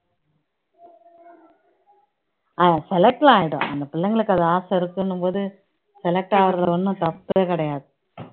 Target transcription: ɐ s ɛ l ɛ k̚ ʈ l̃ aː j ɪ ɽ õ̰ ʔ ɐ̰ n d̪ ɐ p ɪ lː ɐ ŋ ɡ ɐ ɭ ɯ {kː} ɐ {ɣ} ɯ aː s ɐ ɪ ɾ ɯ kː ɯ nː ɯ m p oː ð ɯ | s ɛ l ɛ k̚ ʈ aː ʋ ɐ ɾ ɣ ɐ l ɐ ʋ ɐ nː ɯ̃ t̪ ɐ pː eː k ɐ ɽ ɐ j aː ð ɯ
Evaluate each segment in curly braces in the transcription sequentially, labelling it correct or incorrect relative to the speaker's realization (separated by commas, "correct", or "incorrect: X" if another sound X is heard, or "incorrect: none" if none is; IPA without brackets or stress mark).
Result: correct, incorrect: ð